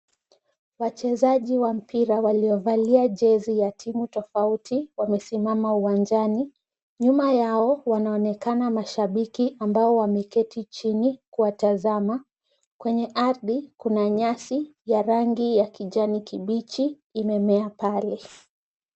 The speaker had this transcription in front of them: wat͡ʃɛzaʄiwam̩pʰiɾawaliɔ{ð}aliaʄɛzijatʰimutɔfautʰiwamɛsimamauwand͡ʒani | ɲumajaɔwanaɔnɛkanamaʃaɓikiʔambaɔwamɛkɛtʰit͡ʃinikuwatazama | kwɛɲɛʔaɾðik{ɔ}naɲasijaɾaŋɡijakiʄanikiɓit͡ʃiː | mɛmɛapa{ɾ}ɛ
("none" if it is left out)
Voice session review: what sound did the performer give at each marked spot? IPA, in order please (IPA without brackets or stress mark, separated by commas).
v, u, l